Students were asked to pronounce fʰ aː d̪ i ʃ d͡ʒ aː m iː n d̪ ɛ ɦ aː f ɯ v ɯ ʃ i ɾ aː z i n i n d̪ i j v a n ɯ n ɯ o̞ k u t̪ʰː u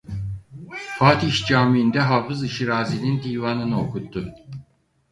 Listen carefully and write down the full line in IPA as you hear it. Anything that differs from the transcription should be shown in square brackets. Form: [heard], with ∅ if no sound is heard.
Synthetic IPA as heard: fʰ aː [t̪] i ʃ d͡ʒ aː m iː n d̪ ɛ ɦ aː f ɯ [z] ɯ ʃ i ɾ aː z i n i n d̪ i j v a n ɯ n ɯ o̞ k u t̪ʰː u